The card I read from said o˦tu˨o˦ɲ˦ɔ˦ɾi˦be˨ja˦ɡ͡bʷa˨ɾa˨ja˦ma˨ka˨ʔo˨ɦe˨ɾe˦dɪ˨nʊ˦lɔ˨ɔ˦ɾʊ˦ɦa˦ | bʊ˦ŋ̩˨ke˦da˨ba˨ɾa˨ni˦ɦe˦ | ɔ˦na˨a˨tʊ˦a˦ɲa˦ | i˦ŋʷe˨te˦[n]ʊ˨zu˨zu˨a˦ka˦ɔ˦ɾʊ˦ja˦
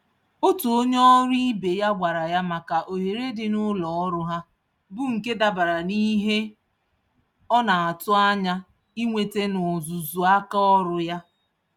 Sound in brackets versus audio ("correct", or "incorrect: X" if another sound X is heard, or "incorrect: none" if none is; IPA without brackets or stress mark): correct